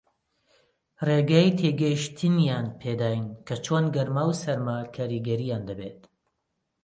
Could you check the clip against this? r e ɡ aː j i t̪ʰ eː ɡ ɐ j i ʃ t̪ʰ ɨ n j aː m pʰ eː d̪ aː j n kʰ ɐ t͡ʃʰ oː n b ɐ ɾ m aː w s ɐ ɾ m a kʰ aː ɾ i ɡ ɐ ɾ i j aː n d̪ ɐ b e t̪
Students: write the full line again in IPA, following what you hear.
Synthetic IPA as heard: r e ɡ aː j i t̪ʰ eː ɡ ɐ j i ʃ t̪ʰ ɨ n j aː n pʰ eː d̪ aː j n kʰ ɐ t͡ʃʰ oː n ɡ ɐ ɾ m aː w s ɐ ɾ m a kʰ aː ɾ i ɡ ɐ ɾ i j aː n d̪ ɐ b e t̪